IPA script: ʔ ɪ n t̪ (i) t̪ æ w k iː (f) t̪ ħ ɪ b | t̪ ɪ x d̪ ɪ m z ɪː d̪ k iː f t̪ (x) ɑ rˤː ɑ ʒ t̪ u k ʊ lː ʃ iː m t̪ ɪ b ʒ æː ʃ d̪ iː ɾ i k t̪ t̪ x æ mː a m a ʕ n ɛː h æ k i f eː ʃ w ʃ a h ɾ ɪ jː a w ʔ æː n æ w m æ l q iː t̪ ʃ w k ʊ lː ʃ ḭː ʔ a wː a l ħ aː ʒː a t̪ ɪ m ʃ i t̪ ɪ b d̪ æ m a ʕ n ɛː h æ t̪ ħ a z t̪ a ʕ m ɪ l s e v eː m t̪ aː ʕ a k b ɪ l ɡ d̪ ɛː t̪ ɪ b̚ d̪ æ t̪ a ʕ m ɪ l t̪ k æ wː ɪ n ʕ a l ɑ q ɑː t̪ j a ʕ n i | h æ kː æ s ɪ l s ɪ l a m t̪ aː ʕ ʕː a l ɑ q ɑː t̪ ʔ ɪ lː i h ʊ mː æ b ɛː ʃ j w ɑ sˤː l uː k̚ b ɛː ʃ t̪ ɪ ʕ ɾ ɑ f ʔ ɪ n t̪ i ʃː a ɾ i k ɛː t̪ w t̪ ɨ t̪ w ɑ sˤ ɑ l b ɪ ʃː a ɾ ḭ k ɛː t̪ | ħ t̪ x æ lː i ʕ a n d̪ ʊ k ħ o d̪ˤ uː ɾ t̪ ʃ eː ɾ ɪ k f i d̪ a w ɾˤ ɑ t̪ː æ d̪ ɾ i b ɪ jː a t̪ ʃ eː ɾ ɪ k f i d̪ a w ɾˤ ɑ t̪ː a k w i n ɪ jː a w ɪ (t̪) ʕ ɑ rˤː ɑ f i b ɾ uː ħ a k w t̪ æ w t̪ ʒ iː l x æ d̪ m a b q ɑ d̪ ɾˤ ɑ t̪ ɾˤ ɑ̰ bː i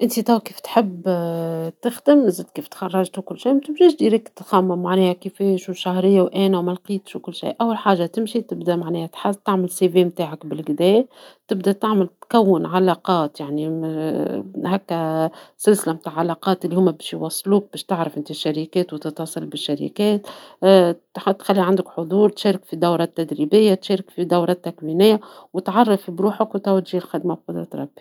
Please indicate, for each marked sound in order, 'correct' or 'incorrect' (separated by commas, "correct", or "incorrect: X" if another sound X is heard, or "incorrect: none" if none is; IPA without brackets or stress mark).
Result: correct, correct, correct, correct